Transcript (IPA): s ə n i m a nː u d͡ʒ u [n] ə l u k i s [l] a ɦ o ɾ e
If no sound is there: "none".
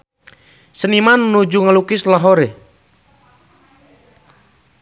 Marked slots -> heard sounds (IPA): ŋ, l

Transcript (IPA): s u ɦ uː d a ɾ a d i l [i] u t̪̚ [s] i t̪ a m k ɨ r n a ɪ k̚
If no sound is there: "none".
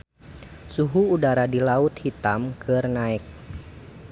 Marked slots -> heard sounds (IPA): a, h

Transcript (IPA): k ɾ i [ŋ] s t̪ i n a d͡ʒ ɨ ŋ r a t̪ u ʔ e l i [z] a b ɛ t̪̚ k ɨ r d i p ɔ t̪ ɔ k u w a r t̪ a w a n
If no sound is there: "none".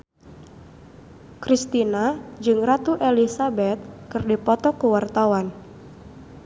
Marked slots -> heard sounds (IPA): none, s

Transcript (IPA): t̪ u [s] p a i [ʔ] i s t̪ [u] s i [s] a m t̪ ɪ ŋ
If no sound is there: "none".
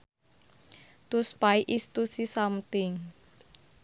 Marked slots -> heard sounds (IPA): s, ʔ, u, s

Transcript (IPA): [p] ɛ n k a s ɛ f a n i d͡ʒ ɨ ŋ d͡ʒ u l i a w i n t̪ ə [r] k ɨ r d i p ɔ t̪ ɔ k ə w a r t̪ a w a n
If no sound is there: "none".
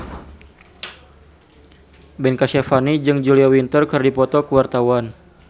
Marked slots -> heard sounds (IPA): b, r

